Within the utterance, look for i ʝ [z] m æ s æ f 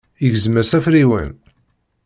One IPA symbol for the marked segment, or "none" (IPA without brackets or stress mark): z